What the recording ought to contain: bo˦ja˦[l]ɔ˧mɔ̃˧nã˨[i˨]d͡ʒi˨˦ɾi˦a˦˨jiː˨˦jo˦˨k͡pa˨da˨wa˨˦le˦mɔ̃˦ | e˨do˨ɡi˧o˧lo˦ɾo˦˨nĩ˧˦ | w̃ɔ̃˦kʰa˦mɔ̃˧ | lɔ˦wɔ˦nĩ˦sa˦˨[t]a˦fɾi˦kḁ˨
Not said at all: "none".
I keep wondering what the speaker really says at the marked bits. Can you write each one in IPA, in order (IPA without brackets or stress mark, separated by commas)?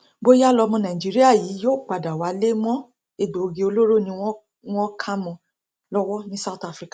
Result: l, i˨, t